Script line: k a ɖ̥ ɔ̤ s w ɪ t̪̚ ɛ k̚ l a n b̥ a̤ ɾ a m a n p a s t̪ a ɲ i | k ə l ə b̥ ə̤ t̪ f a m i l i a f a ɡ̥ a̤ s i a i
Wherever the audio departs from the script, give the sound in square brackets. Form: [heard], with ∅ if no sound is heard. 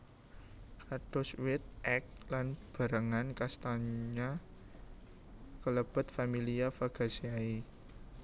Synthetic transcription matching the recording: k a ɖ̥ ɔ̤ s w ɪ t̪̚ ɛ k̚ l a n b̥ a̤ ɾ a [ŋ] a n [k] a s t̪ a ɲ [a] | k ə l ə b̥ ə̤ t̪ f a m i l i a f a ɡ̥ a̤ s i a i